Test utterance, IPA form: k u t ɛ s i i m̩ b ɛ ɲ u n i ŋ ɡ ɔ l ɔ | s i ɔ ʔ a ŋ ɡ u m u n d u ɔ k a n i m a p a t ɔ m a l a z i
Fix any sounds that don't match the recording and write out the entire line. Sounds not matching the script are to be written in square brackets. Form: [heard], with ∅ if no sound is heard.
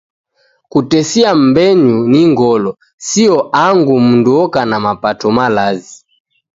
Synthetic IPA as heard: k u t ɛ s i [a] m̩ b ɛ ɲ u n i ŋ ɡ ɔ l ɔ | s i ɔ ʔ a ŋ ɡ u m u n d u ɔ k a n [a] m a p a t ɔ m a l a z i